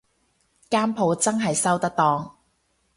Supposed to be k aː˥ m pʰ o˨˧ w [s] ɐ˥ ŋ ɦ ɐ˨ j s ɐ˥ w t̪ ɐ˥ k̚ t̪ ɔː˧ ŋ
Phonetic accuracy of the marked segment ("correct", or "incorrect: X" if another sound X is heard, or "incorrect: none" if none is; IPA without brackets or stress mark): incorrect: t͡s